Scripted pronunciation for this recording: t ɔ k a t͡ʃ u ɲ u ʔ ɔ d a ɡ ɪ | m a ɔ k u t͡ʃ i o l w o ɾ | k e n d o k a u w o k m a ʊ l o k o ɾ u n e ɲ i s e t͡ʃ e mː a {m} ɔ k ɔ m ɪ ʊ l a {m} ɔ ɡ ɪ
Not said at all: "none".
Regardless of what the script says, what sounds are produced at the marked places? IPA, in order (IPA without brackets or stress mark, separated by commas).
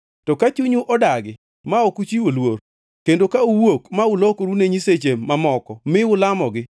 m, m